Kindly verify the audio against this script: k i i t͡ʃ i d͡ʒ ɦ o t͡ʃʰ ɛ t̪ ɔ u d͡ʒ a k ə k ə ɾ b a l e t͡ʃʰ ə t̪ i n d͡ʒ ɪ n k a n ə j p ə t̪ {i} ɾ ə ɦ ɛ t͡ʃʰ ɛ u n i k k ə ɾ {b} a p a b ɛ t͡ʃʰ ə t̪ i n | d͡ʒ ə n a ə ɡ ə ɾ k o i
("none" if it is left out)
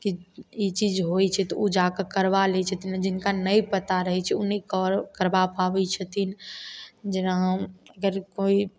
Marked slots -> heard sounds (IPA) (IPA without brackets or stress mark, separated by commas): a, b